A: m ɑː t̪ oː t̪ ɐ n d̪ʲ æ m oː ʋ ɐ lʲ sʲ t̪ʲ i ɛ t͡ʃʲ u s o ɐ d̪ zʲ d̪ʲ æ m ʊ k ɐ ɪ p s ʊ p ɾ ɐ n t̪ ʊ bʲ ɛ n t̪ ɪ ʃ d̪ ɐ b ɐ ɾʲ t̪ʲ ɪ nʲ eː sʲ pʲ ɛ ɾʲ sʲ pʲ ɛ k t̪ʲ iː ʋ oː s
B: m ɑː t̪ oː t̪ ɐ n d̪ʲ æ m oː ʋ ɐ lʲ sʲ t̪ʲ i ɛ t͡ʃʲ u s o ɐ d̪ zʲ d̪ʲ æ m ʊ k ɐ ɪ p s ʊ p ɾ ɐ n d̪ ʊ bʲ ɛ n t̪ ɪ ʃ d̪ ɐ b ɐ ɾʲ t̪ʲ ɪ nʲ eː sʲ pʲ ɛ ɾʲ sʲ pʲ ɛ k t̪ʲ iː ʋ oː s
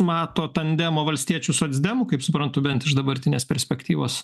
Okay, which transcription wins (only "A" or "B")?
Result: A